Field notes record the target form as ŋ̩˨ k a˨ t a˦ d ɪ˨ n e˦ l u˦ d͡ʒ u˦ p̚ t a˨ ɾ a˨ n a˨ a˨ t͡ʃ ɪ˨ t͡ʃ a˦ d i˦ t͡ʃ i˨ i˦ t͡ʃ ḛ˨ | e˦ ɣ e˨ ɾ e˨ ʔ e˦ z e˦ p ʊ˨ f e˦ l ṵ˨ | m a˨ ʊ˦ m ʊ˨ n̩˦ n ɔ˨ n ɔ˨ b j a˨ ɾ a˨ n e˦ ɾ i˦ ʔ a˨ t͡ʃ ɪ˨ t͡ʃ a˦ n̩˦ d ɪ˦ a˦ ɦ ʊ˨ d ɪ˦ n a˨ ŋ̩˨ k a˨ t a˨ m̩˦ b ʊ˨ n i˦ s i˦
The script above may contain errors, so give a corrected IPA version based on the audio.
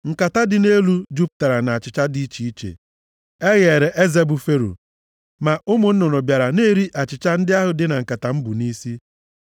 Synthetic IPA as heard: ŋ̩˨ k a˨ t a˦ d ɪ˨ n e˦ l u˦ d͡ʒ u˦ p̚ t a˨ ɾ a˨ n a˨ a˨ t͡ʃ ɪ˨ t͡ʃ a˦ d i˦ t͡ʃ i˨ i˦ t͡ʃ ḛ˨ | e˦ ɣ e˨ ɾ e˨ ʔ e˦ z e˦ b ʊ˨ f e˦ ɾ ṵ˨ | m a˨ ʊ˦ m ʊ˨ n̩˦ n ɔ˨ n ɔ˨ b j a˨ ɾ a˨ n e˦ ɾ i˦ ʔ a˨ t͡ʃ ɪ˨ t͡ʃ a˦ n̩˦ d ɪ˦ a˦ ɦ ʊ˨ d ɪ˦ n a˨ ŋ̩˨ k a˨ t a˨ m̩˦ b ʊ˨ n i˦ s i˦

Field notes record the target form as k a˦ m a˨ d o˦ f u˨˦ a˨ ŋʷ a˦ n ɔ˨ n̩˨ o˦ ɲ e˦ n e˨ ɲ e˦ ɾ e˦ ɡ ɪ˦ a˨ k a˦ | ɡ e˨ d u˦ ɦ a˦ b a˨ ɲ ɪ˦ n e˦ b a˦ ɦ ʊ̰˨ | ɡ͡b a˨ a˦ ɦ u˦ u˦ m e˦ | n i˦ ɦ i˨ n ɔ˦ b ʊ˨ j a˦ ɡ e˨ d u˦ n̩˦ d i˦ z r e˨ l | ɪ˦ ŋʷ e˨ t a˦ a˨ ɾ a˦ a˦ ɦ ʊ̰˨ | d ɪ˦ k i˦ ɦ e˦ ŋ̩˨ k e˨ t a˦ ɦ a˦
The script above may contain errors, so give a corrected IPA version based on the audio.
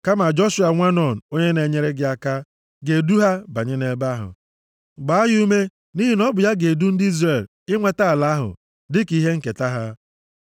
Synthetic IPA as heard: k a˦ m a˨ d͡ʒ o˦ ʃ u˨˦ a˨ ŋʷ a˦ n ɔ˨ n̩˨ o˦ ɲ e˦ n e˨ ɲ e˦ ɾ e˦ ɡ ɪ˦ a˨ k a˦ | ɡ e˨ d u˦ ɦ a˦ b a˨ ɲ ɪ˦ n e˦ b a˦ ɦ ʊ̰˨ | ɡ͡b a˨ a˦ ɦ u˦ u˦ m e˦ | n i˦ ɦ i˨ n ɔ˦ b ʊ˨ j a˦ ɡ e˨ d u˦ n̩˦ d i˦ z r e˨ l | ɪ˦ ŋʷ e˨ t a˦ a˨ l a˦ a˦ ɦ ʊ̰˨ | d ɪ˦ k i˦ ɦ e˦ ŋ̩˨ k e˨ t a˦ ɦ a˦

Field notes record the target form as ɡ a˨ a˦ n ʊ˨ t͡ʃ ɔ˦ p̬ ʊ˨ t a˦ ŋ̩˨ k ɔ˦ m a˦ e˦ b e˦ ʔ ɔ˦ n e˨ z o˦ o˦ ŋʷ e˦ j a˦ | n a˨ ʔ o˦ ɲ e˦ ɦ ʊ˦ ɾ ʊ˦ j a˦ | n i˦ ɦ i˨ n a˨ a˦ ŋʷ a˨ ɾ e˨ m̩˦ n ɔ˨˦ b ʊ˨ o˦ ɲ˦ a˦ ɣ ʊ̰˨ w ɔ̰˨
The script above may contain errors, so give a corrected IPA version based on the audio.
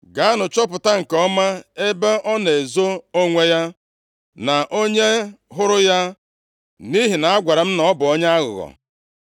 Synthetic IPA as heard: ɡ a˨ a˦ n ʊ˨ t͡ʃ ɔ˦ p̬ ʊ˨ t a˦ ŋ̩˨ k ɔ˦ m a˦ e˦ b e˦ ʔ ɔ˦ n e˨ z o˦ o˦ ŋʷ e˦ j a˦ | n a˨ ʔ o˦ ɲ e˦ ɦ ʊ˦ ɾ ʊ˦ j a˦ | n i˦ ɦ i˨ n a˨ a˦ ɡʷ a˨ ɾ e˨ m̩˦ n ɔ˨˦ b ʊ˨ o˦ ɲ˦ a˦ ɣ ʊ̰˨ ɣ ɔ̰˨

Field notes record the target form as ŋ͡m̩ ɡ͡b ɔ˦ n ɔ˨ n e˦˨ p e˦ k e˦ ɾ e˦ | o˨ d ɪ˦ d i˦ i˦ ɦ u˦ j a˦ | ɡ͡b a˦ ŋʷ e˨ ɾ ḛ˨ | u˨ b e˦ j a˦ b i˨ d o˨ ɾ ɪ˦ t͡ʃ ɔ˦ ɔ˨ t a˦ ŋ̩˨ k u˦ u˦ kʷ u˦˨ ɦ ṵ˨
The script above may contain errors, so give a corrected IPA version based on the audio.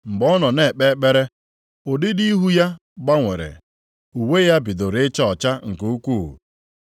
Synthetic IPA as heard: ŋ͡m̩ ɡ͡b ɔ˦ n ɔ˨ n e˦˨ k͡p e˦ k͡p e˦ ɾ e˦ | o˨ d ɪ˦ d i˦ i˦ ɦ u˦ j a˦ | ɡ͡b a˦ ŋʷ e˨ ɾ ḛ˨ | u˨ w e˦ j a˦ b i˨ d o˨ ɾ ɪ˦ t͡ʃ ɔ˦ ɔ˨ t͡ʃ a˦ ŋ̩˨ k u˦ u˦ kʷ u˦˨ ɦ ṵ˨

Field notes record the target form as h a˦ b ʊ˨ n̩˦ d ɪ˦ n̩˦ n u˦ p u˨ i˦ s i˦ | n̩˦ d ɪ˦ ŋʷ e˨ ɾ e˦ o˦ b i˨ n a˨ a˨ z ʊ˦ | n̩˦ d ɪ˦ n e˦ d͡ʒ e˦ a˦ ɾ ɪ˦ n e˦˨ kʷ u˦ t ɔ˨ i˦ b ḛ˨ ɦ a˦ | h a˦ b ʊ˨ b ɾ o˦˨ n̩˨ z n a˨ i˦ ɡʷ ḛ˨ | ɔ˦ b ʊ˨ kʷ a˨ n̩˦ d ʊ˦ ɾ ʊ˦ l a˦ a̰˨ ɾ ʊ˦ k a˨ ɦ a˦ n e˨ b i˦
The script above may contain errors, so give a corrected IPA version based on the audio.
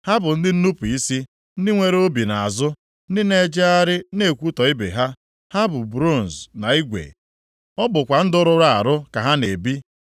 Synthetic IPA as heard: h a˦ b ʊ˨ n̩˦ d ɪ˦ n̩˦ n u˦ p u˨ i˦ s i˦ | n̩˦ d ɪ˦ ŋʷ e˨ ɾ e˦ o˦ b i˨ n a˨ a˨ z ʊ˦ | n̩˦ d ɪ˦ n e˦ d͡ʒ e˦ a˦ ɾ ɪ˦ n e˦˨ kʷ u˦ t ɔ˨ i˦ b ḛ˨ ɦ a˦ | h a˦ b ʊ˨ b ɾ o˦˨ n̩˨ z n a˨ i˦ ɡʷ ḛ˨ | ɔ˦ b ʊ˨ kʷ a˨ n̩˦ d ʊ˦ ɾ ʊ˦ ɾ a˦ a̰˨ ɾ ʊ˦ k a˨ ɦ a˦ n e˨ b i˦

